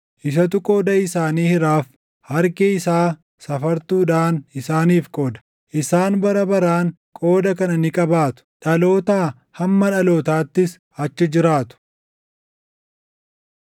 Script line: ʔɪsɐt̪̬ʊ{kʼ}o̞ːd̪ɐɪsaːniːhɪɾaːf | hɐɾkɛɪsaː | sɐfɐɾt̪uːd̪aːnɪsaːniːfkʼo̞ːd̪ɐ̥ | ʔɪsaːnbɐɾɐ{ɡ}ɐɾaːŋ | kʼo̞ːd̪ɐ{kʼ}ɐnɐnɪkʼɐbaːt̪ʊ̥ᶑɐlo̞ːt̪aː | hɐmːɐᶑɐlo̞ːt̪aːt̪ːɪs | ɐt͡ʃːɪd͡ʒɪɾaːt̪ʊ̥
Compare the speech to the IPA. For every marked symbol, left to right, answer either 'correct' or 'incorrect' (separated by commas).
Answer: correct, incorrect, incorrect